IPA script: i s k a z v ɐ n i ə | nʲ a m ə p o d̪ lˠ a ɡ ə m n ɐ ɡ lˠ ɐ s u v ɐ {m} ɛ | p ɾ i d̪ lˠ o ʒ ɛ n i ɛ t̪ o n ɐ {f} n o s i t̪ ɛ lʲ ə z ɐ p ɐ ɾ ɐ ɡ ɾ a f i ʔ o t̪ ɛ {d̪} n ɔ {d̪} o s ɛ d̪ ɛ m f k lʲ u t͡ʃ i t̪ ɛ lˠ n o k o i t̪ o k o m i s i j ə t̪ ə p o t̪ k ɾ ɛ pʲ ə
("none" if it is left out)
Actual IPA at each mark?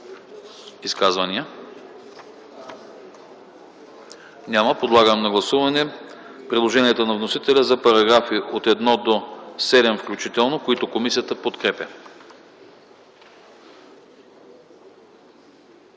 n, v, d̪, d̪

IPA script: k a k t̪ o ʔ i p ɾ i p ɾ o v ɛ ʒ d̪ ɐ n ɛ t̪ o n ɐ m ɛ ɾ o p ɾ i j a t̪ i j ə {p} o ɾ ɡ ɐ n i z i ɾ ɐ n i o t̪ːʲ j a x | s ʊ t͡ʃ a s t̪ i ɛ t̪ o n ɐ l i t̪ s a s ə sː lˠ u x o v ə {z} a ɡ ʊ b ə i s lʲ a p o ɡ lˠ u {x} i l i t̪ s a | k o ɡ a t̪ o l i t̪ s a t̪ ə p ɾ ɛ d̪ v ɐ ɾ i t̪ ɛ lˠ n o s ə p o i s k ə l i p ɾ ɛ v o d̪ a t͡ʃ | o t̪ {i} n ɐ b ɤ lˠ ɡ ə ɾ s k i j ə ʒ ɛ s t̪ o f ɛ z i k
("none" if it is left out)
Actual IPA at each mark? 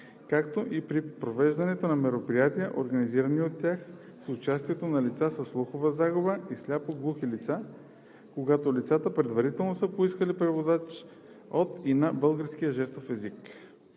ʔ, z, x, i

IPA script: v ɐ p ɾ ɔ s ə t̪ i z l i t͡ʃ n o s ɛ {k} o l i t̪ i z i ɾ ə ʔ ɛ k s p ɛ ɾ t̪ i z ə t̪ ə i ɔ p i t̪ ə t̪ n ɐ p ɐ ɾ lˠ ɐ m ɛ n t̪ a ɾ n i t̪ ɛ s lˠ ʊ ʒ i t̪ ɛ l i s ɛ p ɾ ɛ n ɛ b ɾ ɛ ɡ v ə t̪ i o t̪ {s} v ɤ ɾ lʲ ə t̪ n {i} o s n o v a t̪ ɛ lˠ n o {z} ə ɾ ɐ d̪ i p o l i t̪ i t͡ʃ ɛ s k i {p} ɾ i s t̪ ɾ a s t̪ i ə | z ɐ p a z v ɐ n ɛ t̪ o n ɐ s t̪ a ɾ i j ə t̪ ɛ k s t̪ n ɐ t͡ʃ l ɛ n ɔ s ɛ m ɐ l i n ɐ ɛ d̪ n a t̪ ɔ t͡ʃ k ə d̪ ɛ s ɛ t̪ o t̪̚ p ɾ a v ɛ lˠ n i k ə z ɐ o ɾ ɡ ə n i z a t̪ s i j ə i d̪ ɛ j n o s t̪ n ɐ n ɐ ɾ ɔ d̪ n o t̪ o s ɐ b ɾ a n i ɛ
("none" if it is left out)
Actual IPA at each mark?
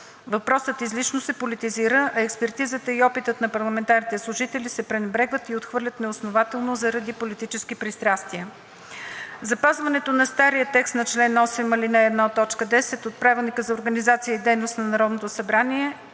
p, x, ɛ, z, p

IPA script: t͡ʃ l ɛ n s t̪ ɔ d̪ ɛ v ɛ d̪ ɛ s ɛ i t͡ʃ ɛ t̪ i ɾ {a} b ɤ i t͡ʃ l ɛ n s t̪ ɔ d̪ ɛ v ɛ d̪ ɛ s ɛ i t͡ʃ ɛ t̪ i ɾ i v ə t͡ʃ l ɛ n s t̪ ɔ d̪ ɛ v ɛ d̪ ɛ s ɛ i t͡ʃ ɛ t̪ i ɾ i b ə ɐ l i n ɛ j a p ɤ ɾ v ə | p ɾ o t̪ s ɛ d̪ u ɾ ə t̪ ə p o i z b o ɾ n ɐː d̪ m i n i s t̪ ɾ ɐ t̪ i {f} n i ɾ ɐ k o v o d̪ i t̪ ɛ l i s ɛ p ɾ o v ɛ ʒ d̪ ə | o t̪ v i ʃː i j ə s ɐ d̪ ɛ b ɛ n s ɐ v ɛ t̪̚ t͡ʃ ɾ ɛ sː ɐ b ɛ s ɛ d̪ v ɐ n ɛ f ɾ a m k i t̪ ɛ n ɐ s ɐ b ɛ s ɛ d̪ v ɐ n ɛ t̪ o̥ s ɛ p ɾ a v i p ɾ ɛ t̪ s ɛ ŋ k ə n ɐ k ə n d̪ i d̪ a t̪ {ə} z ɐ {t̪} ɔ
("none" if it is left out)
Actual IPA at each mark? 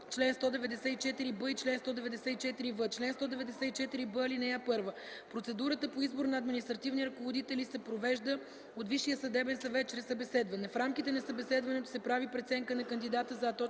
i, v, ə, t̪

